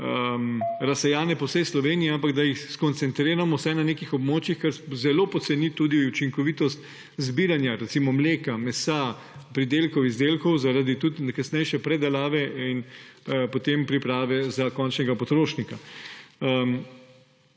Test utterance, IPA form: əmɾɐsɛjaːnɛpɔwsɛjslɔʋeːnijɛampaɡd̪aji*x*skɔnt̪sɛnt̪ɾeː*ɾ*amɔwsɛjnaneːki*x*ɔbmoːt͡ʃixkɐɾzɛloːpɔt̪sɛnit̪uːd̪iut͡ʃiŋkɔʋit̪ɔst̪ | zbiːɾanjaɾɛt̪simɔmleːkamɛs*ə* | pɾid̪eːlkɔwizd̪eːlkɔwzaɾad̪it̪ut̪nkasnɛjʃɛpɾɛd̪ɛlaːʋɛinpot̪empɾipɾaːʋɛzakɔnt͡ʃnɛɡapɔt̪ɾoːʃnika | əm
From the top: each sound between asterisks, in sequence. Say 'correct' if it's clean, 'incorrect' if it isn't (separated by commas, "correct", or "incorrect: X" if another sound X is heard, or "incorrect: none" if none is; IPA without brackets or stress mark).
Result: correct, correct, correct, incorrect: a